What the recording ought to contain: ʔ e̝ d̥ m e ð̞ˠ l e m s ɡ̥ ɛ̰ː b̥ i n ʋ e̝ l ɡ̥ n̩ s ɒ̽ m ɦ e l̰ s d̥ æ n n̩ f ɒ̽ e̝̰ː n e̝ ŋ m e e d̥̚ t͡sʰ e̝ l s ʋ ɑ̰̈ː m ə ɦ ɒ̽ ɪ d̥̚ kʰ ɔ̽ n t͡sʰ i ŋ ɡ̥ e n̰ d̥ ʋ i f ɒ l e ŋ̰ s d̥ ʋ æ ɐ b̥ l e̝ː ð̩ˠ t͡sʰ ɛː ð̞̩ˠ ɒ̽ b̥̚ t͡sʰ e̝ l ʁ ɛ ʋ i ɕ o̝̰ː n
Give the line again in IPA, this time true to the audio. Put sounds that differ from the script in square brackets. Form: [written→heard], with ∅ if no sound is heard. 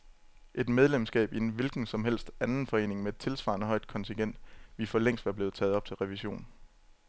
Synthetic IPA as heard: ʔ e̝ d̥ m e ð̞ˠ l e m s ɡ̥ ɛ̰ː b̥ i n ʋ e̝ l ɡ̥ n̩ s ɒ̽ m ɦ e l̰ s d̥ æ n n̩ f ɒ̽ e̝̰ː n e̝ ŋ m e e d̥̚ t͡sʰ e̝ l s ʋ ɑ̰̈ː [m→n] ə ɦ ɒ̽ ɪ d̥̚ kʰ [ɔ̽→ɒ̽] n t͡sʰ i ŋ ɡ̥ e n̰ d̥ ʋ i f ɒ l e ŋ̰ s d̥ ʋ æ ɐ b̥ l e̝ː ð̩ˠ t͡sʰ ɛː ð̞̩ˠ ɒ̽ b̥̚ t͡sʰ e̝ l ʁ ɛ ʋ i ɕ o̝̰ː n